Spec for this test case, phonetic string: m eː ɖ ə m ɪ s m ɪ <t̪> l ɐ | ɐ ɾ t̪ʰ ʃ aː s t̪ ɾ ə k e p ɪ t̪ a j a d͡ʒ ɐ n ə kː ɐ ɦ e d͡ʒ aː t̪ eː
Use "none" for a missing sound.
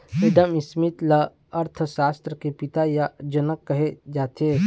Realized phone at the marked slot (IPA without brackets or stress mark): t̪